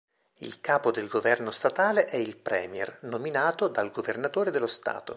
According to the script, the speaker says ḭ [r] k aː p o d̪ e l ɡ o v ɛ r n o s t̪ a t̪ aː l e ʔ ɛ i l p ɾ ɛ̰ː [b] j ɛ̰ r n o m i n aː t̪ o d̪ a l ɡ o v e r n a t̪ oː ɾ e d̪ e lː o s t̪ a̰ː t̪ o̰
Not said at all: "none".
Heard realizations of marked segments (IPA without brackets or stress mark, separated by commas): l, m